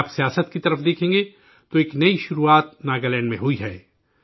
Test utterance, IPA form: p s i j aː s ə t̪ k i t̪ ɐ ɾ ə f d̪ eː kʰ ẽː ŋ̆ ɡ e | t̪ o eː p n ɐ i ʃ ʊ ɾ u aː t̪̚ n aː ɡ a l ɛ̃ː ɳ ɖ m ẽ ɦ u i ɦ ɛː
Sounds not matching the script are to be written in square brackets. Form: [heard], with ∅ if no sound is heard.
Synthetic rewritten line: p s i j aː s ə t̪ k i t̪ ɐ ɾ ə f d̪ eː kʰ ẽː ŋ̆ ɡ e | t̪ o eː [k] n ɐ i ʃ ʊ ɾ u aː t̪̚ n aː ɡ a l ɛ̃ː ɳ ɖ m ẽ ɦ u i ɦ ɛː